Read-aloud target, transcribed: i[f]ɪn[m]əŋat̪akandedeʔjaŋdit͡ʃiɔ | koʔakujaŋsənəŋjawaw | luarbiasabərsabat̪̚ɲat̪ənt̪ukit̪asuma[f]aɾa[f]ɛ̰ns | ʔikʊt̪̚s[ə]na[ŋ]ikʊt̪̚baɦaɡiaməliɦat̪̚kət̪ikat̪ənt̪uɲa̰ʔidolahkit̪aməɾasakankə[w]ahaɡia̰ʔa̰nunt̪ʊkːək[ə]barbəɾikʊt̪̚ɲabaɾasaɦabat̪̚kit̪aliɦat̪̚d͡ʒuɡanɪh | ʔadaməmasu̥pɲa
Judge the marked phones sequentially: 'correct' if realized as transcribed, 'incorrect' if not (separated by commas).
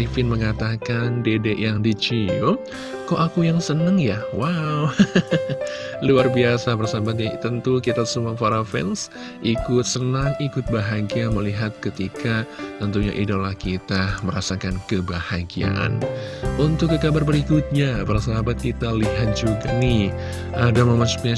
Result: correct, correct, correct, correct, correct, correct, incorrect, incorrect